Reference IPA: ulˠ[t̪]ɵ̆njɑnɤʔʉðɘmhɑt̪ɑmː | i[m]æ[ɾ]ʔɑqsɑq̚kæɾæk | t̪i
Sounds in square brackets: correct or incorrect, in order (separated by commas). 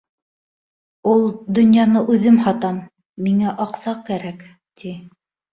incorrect, incorrect, incorrect